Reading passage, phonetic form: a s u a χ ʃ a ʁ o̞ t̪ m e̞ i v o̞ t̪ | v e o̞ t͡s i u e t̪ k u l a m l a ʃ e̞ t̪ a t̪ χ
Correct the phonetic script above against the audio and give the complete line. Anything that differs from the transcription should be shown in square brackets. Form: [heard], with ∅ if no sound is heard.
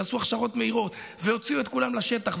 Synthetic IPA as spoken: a s u a χ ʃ a ʁ o̞ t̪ m e̞ i [ʁ] o̞ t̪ | v e o̞ t͡s i u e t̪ k u l a m l a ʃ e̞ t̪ a [∅] χ